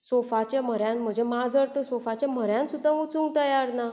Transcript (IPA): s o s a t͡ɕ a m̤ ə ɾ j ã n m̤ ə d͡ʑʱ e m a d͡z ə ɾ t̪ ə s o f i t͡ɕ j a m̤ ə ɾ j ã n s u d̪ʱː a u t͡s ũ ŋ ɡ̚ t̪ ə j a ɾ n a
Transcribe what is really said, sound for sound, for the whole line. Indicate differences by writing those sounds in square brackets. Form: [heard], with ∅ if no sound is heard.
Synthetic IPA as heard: s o [f] a t͡ɕ a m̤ ə ɾ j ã n m̤ ə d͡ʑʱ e m a d͡z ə ɾ t̪ ə s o f [a] t͡ɕ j a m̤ ə ɾ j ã n s u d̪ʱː a u t͡s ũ ŋ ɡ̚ t̪ ə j a ɾ n a